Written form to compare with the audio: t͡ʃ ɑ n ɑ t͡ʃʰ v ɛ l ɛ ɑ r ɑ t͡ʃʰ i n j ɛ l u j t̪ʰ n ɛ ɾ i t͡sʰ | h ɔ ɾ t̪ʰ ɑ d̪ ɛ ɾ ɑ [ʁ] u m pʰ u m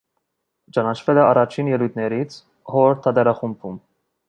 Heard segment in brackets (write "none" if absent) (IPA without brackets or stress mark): χ